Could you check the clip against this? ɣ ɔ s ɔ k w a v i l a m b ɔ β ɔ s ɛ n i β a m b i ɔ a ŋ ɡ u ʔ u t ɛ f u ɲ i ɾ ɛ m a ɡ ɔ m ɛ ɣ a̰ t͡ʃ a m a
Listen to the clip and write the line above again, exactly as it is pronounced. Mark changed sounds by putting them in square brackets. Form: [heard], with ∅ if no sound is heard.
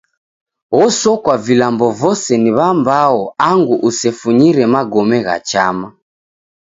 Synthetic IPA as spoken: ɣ ɔ s ɔ k w a v i l a m b ɔ [v] ɔ s ɛ n i β a m b [a] ɔ a ŋ ɡ u ʔ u [s] ɛ f u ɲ i ɾ ɛ m a ɡ ɔ m ɛ ɣ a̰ t͡ʃ a m a